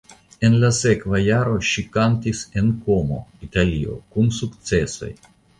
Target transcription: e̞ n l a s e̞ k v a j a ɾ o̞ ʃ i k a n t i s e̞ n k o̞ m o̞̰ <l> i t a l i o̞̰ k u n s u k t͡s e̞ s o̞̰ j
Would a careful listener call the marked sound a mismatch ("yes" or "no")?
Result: yes